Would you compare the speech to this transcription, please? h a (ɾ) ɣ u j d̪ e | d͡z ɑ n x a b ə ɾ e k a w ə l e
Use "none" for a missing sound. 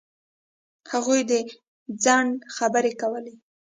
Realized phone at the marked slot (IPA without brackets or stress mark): none